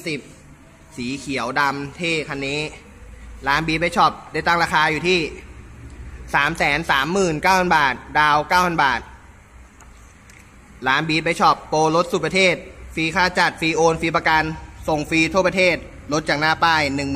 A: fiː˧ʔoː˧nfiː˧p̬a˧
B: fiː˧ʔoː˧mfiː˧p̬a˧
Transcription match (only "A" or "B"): A